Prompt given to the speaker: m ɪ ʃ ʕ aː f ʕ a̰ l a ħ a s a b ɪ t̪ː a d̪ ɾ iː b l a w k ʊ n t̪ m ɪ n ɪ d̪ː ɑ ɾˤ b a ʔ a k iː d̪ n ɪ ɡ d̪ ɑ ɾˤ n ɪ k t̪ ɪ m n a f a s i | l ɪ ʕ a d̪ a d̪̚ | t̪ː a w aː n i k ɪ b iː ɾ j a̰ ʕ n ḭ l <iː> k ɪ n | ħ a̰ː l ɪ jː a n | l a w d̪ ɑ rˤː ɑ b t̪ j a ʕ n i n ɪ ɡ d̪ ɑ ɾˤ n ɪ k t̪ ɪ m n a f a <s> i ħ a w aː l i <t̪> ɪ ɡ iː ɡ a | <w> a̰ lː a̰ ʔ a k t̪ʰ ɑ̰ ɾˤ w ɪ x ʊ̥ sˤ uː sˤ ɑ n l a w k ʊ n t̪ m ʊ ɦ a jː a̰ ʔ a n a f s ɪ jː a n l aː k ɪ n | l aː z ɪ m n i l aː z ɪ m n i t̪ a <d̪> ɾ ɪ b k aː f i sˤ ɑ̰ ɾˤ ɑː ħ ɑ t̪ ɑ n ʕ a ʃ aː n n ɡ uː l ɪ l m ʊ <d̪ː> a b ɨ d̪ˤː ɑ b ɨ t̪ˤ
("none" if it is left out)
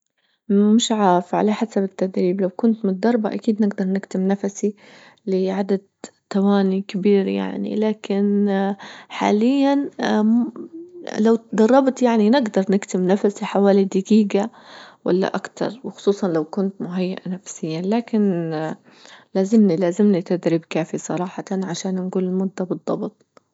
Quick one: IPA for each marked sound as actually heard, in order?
aː, s, d̪, w, d̪, d̪ː

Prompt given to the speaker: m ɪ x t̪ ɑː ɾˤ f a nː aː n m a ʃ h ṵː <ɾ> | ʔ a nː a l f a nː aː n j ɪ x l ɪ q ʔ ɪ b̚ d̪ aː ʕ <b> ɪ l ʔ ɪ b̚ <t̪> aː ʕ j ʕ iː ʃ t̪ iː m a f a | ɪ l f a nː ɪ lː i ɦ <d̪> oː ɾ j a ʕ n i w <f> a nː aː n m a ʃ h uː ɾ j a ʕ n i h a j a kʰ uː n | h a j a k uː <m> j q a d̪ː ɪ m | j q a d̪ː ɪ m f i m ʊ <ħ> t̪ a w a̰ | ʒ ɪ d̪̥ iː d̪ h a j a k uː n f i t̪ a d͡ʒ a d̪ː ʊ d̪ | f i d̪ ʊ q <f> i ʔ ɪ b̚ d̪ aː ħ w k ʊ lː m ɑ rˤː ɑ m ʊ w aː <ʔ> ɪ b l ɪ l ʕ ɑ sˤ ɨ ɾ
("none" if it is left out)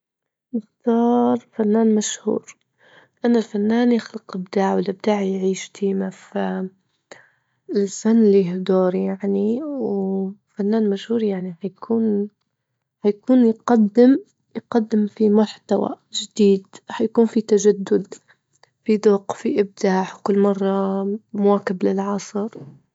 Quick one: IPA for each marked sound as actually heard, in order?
ɾ, w, d̪, d̪, f, n, ħ, f, k

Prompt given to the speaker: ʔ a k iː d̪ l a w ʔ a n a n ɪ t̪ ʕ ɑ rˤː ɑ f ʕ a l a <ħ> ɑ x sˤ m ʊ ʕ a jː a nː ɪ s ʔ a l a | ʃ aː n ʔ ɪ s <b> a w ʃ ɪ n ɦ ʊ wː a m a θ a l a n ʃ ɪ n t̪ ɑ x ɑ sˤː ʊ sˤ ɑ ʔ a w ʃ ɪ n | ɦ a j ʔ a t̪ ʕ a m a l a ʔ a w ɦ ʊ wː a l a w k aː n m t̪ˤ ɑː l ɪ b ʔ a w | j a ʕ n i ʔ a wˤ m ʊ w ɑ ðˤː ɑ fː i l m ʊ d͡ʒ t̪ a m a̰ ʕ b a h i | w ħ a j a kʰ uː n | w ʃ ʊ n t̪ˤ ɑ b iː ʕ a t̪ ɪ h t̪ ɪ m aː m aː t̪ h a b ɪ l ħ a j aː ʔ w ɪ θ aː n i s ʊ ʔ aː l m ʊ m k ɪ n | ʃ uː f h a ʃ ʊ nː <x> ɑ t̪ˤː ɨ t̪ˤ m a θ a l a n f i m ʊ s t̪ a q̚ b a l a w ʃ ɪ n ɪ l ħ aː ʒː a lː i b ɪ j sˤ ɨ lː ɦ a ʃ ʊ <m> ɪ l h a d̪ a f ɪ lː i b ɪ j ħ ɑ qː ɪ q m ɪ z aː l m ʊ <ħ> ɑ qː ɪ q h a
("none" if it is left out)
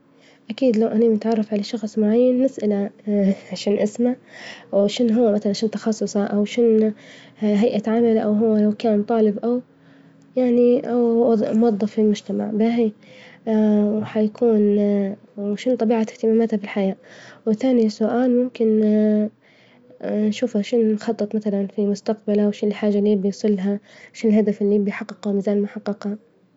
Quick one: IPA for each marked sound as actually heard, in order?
ʃ, m, x, n, ħ

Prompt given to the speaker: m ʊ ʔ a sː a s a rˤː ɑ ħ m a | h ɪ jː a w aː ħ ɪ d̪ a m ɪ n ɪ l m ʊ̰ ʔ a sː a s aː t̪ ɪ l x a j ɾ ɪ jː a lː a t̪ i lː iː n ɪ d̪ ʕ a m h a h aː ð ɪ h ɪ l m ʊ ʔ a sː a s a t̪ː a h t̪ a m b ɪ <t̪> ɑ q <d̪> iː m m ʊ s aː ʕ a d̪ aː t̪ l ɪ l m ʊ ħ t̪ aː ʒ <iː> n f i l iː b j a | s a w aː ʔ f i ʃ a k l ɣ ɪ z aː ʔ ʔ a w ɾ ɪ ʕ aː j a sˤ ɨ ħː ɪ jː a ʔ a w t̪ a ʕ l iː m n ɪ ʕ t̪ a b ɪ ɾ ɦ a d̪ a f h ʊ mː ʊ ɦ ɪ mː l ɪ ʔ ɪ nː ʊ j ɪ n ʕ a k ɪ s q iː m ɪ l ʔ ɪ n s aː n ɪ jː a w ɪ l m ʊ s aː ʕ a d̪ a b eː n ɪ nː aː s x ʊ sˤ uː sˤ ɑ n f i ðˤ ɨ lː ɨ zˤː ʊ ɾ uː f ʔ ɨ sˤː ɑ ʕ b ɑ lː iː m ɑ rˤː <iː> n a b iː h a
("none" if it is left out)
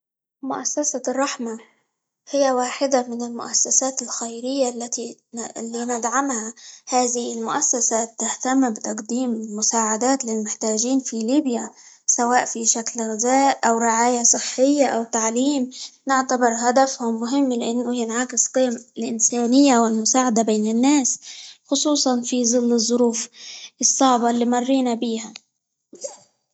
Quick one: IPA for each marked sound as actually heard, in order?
t̪, d̪, iː, iː

